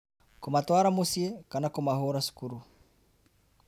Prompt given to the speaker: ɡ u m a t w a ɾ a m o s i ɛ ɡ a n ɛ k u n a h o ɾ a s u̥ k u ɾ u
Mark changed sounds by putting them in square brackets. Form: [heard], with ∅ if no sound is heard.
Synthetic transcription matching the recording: [k] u m a t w a ɾ a m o s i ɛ [k] a n [a] k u [m] a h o ɾ a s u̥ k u ɾ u

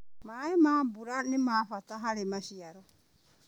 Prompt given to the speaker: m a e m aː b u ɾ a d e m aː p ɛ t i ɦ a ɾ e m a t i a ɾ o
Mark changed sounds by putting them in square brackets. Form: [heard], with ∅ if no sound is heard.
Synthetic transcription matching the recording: m a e m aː b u ɾ a [n] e m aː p [a] t [a] ɦ a ɾ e m a [s] i a ɾ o

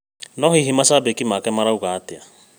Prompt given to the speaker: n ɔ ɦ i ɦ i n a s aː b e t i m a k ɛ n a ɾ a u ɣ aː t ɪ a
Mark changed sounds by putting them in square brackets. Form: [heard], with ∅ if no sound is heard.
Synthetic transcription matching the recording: n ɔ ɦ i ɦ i [m] a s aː b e [k] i m a k ɛ [m] a ɾ a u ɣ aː t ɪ a

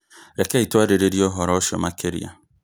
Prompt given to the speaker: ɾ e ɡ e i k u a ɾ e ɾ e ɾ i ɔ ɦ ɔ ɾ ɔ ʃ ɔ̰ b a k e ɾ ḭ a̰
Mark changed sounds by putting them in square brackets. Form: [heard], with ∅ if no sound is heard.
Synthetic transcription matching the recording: ɾ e [k] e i [t] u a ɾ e ɾ e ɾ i ɔ ɦ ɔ ɾ ɔ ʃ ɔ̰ [m] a k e ɾ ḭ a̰

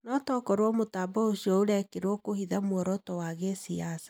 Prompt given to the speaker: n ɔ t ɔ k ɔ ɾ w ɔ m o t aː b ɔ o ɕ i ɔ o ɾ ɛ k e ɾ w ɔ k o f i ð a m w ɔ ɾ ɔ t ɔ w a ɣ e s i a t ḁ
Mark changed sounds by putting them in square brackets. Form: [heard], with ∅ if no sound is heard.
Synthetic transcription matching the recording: n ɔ t ɔ k ɔ ɾ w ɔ m o t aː b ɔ o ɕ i ɔ o ɾ ɛ k e ɾ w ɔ k o [h] i ð a m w ɔ ɾ ɔ t ɔ w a ɣ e s i a [s] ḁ

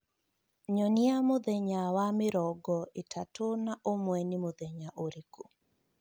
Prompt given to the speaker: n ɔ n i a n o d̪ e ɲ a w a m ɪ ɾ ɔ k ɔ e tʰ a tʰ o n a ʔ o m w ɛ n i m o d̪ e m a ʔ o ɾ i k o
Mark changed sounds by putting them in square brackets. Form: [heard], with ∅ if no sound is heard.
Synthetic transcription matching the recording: [ɲ] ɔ n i a [m] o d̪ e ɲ a w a m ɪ ɾ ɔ [ɡ] ɔ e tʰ a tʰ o n a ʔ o m w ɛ n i m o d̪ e [ɲ] a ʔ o ɾ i k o

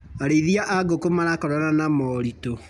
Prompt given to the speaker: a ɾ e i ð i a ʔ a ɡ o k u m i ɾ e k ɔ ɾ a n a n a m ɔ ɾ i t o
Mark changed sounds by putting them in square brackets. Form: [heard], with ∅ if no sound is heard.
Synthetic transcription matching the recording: a ɾ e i ð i a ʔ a ɡ o k [o] m [a] ɾ [a] k ɔ ɾ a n a n a m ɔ ɾ i t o

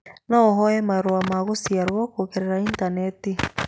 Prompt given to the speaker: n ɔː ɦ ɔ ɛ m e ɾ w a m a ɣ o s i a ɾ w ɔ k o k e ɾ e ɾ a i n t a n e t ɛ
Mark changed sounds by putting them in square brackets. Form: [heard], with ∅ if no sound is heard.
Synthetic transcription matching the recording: n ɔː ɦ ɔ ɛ m [a] ɾ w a m a ɣ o s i a ɾ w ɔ k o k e ɾ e ɾ a i n t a n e t [i]

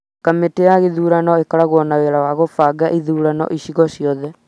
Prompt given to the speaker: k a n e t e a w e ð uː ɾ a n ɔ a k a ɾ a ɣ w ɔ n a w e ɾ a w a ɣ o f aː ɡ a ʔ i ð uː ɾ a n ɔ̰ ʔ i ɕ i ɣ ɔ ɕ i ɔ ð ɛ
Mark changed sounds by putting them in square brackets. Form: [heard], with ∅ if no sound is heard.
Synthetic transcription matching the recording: k a [m] e t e a [ɣ] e ð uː ɾ a n ɔ [e] k a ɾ a ɣ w ɔ n a w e ɾ a w a ɣ o f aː ɡ a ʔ i ð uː ɾ a n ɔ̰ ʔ i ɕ i ɣ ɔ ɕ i ɔ ð ɛ

